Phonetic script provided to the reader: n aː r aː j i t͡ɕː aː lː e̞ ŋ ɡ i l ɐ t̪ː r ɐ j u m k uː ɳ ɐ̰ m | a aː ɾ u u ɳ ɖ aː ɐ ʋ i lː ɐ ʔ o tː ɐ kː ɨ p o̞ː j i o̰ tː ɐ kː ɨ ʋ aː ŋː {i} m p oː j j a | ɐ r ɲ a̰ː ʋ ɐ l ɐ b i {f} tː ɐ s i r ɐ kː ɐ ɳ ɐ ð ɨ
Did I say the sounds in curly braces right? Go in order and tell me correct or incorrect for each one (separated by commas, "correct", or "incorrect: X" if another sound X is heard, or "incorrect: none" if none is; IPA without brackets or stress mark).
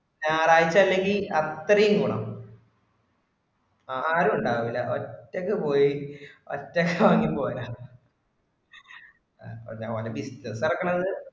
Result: correct, incorrect: s